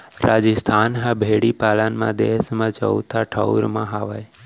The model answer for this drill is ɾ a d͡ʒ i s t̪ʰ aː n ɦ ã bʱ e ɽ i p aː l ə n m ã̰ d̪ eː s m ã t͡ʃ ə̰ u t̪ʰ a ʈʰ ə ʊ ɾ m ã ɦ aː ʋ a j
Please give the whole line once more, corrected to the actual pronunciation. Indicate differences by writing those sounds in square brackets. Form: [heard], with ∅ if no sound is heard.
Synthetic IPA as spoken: ɾ a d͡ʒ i s t̪ʰ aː n ɦ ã bʱ e ɽ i p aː l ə n m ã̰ d̪ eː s m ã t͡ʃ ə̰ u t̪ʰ a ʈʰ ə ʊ ɾ m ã ɦ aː ʋ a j

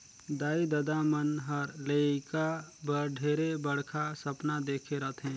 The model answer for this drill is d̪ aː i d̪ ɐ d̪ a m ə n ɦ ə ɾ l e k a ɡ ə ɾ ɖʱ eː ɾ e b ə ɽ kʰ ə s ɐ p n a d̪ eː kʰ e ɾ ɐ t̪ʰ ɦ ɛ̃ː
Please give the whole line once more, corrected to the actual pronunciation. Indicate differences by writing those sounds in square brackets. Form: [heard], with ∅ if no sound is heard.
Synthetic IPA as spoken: d̪ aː i d̪ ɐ d̪ a m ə n ɦ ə ɾ l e k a [b] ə ɾ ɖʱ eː ɾ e b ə ɽ kʰ [a] s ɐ p n a d̪ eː kʰ e ɾ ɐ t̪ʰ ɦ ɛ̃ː

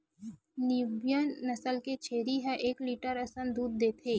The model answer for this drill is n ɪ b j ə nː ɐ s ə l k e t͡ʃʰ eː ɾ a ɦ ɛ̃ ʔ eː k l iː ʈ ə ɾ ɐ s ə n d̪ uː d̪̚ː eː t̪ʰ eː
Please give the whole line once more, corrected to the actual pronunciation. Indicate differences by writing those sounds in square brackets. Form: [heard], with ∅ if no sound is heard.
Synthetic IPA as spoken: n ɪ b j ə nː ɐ s ə l k e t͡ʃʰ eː ɾ [i] ɦ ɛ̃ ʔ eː k l iː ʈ ə ɾ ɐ s ə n d̪ uː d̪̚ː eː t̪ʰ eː

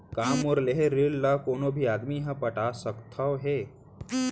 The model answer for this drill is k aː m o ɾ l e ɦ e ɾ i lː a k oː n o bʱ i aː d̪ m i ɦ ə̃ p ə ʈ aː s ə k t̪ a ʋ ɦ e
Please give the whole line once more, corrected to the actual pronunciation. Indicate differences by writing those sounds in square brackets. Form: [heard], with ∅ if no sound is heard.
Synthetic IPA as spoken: k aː m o ɾ l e ɦ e ɾ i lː a k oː n o bʱ i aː d̪ m i ɦ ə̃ p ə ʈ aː s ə k [t̪ʰ] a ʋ ɦ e

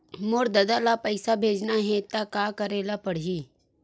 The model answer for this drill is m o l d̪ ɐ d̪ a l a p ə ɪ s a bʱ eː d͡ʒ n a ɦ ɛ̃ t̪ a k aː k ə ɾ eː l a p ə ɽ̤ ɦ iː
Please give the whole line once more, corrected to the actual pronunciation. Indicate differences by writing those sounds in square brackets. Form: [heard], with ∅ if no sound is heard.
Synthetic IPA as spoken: m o [ɾ] d̪ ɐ d̪ a l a p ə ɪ s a bʱ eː d͡ʒ n a ɦ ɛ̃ t̪ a k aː k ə ɾ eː l a p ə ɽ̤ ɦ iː

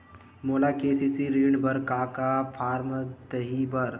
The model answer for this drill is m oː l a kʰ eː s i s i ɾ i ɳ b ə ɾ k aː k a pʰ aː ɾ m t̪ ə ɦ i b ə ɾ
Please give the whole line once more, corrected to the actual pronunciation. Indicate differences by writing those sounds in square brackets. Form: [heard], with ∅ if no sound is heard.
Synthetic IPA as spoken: m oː l a [k] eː s i s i ɾ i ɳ b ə ɾ k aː k a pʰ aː ɾ m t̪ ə ɦ i b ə ɾ

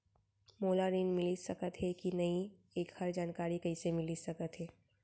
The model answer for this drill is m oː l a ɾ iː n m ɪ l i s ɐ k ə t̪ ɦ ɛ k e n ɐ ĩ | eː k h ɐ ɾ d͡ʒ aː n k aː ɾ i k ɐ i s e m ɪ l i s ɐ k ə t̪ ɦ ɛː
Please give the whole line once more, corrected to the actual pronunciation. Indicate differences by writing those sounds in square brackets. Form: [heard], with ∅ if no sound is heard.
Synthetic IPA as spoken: m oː l a ɾ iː n m ɪ l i s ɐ k ə t̪ ɦ ɛ k [i] n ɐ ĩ | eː k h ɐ ɾ d͡ʒ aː n k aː ɾ i k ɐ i s e m ɪ l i s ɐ k ə t̪ ɦ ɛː

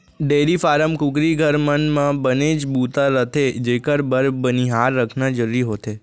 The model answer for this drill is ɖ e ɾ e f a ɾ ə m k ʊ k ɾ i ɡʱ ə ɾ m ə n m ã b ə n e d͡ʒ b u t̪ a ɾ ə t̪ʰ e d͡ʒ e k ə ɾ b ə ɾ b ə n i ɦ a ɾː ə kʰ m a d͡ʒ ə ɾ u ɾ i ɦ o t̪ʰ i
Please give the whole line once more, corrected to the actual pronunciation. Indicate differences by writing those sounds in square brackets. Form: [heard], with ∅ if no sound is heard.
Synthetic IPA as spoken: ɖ e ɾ [i] f a ɾ ə m k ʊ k ɾ i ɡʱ ə ɾ m ə n m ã b ə n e d͡ʒ b u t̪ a ɾ ə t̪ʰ e d͡ʒ e k ə ɾ b ə ɾ b ə n i ɦ a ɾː ə kʰ [n] a d͡ʒ ə ɾ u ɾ i ɦ o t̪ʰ [e]

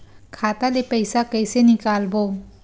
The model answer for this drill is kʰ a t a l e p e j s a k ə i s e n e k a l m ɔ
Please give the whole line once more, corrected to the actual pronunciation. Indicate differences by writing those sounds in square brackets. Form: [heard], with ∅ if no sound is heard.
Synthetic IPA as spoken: kʰ a t a l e p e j s a k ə [j] s e n [i] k a l [b] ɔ

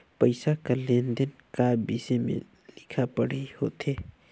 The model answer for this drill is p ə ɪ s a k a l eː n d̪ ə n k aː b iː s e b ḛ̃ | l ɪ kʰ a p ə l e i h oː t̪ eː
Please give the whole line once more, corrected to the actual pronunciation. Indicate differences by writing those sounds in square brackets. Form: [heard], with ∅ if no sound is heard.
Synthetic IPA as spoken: p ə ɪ s a k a l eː n d̪ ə n k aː b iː s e [m] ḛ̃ | l ɪ kʰ a p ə [ɽ] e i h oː t̪ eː

